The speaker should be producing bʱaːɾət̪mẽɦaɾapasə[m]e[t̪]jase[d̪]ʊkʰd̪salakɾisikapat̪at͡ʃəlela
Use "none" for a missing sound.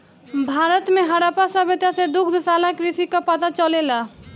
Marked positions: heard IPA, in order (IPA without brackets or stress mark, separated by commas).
b, t̪, d̪